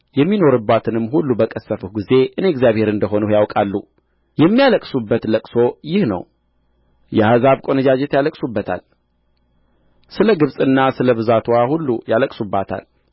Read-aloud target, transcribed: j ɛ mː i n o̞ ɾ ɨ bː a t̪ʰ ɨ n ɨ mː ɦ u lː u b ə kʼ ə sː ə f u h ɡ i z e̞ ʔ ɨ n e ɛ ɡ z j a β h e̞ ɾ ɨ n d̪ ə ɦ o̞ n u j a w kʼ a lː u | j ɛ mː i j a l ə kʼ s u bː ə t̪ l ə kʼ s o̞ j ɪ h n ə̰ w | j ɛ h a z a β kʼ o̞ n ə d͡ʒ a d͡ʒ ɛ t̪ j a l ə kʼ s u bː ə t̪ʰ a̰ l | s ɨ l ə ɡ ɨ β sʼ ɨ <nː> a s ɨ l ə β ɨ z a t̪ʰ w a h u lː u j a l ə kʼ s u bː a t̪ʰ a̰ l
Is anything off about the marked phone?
no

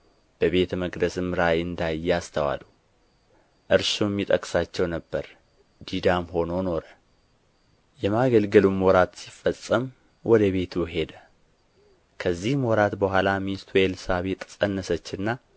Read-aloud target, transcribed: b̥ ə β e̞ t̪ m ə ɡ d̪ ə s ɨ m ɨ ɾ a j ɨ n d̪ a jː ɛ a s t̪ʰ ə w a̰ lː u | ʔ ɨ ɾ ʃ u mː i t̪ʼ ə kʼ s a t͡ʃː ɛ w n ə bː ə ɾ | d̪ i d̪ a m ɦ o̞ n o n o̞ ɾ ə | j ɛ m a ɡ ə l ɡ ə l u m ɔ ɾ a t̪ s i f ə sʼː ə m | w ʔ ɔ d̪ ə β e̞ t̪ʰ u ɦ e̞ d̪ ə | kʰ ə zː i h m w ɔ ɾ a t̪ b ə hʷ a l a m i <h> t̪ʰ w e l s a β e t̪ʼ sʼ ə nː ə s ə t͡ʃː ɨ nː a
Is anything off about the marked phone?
yes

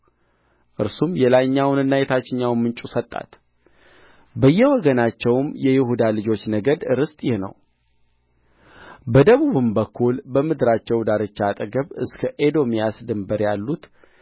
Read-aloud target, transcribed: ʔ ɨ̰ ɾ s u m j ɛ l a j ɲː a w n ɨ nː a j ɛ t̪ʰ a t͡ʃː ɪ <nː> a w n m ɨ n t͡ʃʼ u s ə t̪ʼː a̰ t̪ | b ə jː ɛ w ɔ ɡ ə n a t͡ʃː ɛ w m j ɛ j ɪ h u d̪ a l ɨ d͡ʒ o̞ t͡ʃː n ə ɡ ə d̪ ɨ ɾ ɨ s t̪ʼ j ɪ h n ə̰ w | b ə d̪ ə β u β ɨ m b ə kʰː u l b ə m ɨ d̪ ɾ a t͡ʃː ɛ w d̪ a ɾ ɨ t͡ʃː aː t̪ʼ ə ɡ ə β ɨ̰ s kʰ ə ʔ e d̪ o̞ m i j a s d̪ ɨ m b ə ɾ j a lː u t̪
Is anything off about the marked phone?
yes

